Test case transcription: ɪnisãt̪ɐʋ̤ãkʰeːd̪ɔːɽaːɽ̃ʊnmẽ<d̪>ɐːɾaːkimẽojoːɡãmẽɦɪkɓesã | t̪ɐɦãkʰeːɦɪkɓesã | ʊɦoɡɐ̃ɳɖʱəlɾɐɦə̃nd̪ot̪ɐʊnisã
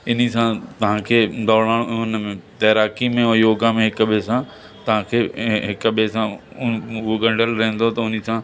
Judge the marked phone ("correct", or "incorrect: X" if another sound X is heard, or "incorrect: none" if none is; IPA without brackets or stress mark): incorrect: t̪